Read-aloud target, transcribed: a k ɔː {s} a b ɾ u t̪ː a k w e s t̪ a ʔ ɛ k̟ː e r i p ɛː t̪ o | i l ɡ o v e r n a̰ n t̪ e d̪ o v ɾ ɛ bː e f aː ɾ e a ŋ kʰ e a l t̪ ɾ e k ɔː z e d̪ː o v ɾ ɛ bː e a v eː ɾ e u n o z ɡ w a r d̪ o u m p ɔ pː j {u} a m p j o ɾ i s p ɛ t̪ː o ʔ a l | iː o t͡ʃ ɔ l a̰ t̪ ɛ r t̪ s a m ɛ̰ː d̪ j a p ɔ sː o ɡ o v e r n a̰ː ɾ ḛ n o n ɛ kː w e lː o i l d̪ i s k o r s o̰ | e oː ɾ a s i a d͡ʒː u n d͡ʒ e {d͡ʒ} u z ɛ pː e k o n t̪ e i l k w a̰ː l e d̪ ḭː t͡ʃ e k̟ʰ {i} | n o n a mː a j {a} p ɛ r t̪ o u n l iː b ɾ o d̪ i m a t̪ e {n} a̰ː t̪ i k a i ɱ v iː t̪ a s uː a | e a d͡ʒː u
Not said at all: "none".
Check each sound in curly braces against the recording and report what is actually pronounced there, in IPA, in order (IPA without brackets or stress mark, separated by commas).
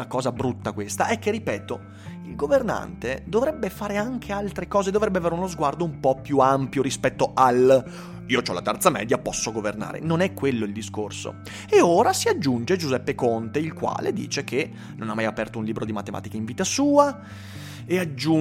z, u, d͡ʒ, e, a, m